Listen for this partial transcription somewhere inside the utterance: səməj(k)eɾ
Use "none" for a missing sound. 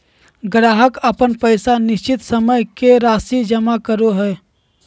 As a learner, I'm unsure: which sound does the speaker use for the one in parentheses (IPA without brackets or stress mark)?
k